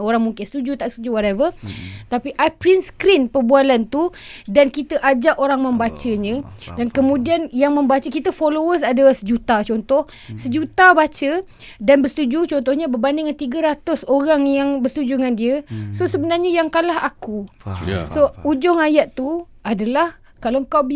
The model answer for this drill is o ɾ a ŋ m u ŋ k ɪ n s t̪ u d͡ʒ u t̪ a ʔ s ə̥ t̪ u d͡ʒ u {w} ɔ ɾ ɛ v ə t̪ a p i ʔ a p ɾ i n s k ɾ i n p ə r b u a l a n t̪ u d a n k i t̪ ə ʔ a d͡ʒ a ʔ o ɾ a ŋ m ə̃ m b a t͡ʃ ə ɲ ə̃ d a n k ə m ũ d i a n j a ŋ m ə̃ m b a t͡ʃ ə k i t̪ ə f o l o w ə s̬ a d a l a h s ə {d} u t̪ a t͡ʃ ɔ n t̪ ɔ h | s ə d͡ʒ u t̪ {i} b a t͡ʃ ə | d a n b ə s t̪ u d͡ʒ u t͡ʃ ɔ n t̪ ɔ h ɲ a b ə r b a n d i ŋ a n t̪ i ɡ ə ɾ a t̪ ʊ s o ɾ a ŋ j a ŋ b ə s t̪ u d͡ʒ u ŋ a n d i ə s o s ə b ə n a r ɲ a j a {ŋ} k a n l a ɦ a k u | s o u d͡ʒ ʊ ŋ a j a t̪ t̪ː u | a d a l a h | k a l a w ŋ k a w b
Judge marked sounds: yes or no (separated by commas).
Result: yes, no, no, yes